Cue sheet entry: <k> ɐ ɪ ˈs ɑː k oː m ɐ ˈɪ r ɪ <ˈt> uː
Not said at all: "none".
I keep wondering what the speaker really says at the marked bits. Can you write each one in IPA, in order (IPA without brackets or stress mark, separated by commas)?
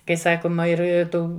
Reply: k, t